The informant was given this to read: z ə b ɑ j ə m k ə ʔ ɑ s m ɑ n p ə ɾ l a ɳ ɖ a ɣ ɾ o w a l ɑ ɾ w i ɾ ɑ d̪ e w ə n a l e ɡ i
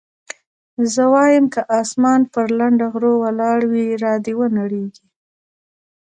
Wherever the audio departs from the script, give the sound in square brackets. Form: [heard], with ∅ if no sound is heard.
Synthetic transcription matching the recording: z ə [w] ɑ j ə m k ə ʔ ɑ s m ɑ n p ə ɾ l a ɳ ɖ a ɣ ɾ o w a l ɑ [ɽ] w i ɾ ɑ d̪ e w ə n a [ɽ] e ɡ i